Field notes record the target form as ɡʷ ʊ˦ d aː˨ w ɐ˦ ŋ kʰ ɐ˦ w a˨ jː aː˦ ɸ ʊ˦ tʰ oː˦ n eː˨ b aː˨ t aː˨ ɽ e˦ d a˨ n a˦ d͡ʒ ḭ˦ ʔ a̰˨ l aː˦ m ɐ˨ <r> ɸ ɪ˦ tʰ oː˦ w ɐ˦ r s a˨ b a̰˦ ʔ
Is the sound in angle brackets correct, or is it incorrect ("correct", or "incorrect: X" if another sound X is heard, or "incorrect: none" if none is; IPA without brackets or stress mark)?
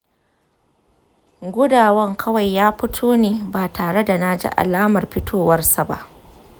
correct